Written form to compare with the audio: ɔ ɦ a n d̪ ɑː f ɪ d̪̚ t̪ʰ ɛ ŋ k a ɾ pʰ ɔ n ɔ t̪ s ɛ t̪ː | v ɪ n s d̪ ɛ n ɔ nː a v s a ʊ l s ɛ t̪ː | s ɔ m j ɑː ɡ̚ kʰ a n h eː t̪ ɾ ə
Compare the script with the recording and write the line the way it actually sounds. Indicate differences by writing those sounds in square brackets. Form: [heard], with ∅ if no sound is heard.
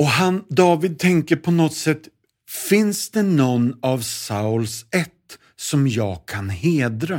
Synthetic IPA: ɔ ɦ a n d̪ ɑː [v] ɪ d̪̚ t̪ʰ ɛ ŋ k [ə] ɾ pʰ ɔ n ɔ t̪ s ɛ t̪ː | [f] ɪ n s d̪ ɛ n ɔ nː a v s a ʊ l s ɛ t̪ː | s ɔ m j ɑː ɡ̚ kʰ a n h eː [d̪] ɾ [a]